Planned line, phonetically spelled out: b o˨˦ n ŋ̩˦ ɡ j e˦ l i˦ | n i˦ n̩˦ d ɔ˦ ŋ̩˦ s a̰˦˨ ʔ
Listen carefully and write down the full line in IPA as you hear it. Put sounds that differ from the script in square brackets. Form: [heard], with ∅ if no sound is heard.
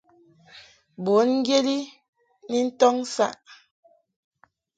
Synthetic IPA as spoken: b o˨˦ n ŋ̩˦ ɡ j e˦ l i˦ | n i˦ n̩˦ [t] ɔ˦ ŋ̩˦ s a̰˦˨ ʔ

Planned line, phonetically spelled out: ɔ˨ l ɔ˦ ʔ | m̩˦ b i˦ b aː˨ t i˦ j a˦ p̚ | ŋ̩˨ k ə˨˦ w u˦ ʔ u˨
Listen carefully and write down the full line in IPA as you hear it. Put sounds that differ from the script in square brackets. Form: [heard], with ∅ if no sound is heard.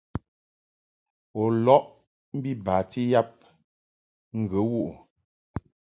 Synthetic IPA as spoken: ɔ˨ l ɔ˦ ʔ | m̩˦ b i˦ b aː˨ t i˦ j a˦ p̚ | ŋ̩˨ [ɡ] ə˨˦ w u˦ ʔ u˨

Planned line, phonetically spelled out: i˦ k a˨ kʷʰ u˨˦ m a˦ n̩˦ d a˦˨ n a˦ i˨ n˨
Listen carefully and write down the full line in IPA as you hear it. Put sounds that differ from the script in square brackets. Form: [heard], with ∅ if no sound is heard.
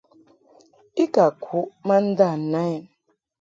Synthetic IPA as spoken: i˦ k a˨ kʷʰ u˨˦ m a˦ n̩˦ d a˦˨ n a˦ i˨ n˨

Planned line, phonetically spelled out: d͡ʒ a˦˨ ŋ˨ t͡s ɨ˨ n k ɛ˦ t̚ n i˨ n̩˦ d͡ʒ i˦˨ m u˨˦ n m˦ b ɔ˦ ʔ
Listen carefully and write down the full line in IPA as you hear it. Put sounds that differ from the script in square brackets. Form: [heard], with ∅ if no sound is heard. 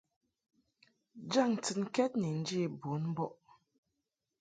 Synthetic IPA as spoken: d͡ʒ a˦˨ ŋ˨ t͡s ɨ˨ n k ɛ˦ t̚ n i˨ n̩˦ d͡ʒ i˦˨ [b] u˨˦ n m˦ b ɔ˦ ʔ

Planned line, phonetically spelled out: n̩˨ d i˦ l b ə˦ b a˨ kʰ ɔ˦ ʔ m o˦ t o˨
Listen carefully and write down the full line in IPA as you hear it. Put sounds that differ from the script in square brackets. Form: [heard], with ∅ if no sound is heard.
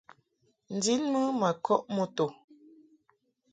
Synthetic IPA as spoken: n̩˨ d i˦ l [m] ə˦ [m] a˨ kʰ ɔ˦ ʔ m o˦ t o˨

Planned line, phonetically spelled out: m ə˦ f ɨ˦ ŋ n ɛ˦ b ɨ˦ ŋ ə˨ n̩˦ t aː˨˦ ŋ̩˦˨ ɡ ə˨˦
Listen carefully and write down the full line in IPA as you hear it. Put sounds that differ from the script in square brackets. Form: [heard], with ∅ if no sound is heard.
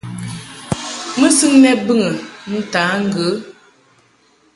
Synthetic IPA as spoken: m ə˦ [s] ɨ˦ ŋ n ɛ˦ b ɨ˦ ŋ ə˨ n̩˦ t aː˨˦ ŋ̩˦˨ ɡ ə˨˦

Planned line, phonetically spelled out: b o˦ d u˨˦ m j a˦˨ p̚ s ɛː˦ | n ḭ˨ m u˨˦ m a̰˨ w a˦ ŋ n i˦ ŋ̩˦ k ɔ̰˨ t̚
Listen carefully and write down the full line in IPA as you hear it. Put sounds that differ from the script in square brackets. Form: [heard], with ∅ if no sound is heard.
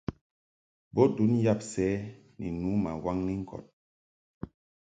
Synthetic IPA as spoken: b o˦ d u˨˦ [n] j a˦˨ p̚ s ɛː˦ | n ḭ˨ [n] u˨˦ m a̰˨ w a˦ ŋ n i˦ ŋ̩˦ k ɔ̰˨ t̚

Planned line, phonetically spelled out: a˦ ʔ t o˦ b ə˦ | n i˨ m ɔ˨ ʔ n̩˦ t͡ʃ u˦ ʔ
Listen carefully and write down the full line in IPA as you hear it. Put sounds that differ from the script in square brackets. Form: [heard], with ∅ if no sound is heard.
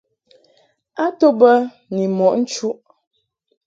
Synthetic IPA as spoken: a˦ [∅] t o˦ b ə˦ | n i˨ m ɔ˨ ʔ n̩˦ t͡ʃ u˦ ʔ

